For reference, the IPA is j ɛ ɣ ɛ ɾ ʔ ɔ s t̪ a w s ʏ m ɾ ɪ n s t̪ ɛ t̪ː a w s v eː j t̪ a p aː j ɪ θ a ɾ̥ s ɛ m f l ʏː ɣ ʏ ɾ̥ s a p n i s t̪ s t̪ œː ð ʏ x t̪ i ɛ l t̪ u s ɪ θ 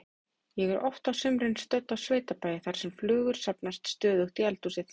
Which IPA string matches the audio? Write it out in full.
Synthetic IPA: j ɛ ɣ ɛ ɾ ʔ ɔ f t̪ a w s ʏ m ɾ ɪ n s t̪ œ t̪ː a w s v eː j t̪ a p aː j ɪ θ a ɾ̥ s ɛ m f l ʏː ɣ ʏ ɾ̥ s a p n a s t̪ s t̪ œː ð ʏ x t̪ i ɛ l t̪ u s ɪ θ

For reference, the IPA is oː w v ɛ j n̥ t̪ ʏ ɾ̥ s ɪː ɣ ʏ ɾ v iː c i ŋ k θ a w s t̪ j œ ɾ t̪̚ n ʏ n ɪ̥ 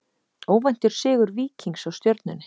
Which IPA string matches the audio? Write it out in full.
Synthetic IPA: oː w v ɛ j n̥ t̪ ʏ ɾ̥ s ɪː ɣ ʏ ɾ v iː c i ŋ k s a w s t̪ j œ ɾ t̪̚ n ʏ n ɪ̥

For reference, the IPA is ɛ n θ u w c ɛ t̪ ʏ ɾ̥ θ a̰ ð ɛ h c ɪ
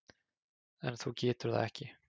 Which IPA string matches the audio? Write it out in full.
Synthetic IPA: ɛ n θ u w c ɛː t̪ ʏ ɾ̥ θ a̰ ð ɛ h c ɪ

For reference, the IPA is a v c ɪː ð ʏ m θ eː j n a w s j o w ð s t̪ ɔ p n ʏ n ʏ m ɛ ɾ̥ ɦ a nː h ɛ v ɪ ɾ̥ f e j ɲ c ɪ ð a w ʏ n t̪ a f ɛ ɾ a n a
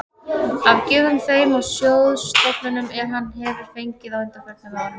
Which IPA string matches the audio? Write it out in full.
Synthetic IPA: a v c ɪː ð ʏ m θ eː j m a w s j o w ð s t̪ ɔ p n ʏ n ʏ m ɛ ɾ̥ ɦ a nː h ɛ v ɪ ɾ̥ f e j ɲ c ɪ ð a w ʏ n t̪ a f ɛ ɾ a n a

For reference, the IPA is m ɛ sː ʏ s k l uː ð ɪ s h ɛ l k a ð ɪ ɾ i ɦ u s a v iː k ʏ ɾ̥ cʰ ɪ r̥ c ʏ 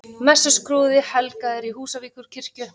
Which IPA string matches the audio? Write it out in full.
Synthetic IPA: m ɛ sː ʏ s k ɾ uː ð ɪ h ɛ l k a ð ɪ ɾ i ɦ uː s a v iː k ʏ ɾ̥ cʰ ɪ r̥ c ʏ

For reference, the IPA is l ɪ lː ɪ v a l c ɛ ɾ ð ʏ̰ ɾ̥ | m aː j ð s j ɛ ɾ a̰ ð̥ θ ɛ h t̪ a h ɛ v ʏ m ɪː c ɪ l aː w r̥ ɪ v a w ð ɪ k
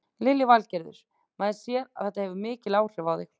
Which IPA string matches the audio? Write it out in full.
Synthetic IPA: l ɪ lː ɪ v a l c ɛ ɾ ð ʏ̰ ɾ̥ | m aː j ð s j ɛ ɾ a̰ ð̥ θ ɛ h t̪ a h ɛ v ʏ m ɪː c ɪ l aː w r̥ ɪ v a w ð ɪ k

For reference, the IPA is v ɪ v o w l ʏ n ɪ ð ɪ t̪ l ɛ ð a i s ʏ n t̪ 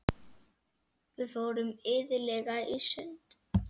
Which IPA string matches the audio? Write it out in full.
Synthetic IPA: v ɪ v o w ɾ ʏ m ɪ ð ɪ l ɛ ɣ a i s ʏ n t̪

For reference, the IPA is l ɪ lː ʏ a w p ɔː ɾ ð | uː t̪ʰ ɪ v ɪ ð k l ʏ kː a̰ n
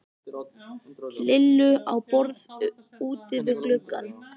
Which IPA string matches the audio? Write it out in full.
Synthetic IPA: l ɪ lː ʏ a w p ɔ ɾ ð | uː t̪ ɪ v ɪ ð k l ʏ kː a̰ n

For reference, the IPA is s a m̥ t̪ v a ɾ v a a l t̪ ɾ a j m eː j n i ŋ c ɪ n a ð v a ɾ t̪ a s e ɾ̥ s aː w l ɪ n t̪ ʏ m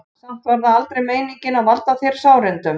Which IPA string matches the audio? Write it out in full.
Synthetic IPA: s a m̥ t̪ v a ɾ ð a a l t̪ ɾ e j m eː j n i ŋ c ɪ n a ð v a l t̪ a θ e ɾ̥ s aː w ɾ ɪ n t̪ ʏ m

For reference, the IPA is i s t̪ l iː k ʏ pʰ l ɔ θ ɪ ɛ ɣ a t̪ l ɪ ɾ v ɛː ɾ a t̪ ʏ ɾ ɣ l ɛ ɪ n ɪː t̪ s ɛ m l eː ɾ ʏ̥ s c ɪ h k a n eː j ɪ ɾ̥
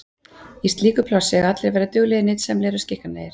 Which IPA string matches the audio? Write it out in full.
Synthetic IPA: i s t̪ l iː k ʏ pʰ l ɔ s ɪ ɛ ɣ a t̪ l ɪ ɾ v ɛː ɾ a t̪ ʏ ɣ l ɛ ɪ n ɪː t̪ s ɛ m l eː ɾ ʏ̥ s c ɪ h k a n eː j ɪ ɾ̥

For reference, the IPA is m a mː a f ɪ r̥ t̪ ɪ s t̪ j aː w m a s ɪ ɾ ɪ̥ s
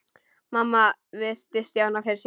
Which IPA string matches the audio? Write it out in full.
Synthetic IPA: m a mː a v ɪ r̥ t̪ ɪ s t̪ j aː w n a f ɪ ɾ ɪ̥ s

